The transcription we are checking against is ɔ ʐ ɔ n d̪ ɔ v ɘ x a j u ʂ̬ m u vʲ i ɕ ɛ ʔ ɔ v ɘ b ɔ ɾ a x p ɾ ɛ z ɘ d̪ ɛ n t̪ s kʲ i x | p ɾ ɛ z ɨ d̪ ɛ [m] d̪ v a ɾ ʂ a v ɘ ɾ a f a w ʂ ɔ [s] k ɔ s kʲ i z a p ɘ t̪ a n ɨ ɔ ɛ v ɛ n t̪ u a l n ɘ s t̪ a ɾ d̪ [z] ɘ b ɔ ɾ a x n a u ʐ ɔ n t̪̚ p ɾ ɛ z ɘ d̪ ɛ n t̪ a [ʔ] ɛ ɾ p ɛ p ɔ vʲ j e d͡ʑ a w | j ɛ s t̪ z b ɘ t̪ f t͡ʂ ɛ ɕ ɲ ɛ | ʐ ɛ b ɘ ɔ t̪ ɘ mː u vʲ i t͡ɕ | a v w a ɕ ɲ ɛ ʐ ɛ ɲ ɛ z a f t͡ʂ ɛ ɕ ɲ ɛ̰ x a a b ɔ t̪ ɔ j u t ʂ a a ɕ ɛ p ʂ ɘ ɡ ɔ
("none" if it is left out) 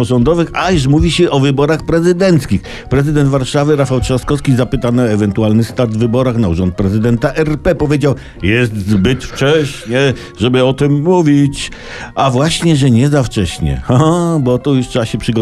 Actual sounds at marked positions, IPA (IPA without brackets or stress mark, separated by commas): n, s, v, ʔ